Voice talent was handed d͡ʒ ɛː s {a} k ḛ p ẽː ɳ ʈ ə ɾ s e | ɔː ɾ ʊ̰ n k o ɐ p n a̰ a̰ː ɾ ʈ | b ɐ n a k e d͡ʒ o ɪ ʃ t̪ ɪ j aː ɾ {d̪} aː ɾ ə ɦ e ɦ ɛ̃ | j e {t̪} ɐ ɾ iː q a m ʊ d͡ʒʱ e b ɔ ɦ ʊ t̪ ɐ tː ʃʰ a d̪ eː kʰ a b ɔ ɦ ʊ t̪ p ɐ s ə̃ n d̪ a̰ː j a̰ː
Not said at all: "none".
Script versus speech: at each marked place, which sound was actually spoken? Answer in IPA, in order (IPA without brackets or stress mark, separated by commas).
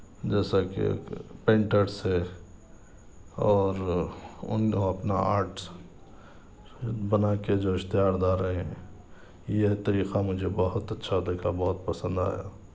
a, d̪, t̪